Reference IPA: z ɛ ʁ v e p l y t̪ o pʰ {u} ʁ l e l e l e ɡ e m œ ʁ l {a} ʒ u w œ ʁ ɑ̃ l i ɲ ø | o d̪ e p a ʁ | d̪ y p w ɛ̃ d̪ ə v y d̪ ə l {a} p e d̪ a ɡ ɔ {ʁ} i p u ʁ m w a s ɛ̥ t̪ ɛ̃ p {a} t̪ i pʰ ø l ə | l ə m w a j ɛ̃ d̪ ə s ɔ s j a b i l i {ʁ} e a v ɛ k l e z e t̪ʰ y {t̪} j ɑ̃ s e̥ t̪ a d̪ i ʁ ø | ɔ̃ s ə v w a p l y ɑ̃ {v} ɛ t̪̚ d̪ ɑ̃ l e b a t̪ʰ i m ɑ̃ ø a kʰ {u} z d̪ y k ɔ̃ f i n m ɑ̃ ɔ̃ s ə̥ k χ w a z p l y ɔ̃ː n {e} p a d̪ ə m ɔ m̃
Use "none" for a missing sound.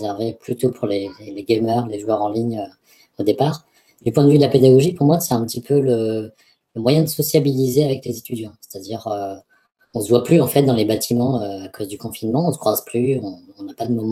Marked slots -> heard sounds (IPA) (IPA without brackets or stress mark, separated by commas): u, e, a, ʒ, ə, z, d̪, f, o, a